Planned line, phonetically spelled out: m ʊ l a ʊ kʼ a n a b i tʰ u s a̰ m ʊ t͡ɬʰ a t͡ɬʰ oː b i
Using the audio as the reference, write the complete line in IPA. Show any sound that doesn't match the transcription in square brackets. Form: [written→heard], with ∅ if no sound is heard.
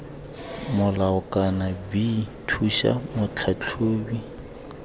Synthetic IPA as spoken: m ʊ l a ʊ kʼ a n a b i tʰ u [s→ʃ] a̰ m ʊ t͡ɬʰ a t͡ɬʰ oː b i